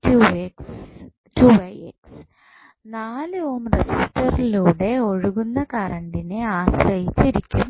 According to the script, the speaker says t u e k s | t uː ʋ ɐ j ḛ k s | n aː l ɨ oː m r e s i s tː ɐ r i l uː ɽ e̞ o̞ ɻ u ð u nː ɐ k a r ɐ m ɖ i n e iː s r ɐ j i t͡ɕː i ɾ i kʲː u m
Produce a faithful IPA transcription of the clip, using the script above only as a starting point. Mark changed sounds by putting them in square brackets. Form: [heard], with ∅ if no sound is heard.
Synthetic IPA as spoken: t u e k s | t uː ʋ ɐ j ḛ k s | n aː l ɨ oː m r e s i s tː ɐ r i l uː ɽ e̞ o̞ ɻ u [ɣ] u nː ɐ k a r ɐ [ɳ] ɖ i n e [aː] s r ɐ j i t͡ɕː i ɾ i kʲː u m